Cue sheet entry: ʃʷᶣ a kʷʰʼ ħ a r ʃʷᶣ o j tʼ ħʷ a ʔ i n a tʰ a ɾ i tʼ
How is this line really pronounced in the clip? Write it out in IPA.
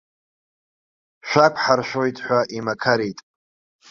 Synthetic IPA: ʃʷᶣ a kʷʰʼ ħ a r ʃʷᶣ o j tʼ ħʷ a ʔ i m a kʰ a ɾ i tʼ